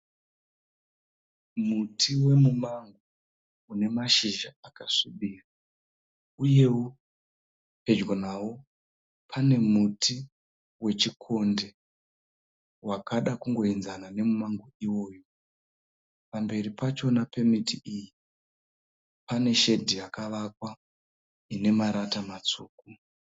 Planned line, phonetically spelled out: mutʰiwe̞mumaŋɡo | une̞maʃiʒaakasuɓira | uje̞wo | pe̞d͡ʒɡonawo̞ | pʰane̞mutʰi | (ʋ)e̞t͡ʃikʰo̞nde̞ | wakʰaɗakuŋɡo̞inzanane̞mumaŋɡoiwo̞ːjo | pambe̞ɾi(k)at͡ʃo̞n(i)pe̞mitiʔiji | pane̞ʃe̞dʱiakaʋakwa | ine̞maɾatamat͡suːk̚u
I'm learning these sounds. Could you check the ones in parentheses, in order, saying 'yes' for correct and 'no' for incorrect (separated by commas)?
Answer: no, no, no